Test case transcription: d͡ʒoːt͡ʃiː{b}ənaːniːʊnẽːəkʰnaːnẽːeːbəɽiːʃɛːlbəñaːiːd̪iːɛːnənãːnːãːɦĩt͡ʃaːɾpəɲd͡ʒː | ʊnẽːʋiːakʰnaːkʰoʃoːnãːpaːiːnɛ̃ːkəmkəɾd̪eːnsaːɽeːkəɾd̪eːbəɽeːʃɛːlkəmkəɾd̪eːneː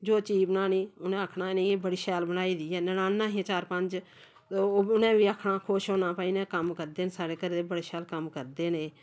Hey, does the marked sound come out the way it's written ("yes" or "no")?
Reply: yes